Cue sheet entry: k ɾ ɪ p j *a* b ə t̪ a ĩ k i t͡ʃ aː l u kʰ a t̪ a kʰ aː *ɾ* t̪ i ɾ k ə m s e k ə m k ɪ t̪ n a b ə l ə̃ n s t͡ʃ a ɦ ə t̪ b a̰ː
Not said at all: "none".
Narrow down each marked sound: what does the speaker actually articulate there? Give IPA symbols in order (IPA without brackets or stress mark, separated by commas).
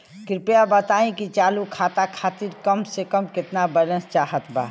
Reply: a, none